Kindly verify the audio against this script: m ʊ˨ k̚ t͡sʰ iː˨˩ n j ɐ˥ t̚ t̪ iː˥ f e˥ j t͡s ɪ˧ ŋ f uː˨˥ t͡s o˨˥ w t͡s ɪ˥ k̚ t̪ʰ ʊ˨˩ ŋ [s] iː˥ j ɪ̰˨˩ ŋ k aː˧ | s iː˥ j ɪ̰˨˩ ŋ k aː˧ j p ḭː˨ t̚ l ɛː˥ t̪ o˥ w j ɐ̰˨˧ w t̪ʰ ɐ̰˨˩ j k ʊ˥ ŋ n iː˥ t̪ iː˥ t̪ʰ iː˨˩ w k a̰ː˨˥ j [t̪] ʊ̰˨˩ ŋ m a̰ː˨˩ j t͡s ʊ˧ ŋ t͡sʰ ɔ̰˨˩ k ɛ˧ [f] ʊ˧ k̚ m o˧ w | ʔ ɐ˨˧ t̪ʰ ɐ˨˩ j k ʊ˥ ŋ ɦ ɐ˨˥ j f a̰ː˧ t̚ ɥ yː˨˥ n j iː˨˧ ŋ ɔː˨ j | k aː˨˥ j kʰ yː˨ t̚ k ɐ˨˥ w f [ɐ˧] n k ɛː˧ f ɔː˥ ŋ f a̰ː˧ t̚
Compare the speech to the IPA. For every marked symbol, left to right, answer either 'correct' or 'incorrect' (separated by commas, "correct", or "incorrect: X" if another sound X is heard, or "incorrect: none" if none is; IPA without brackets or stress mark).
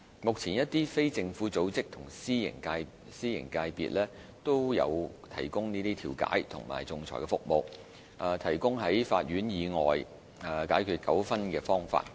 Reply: correct, incorrect: t̪ʰ, correct, incorrect: ɐ˥